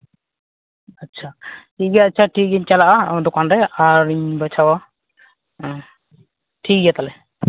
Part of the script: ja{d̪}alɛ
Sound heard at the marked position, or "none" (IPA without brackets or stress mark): t̪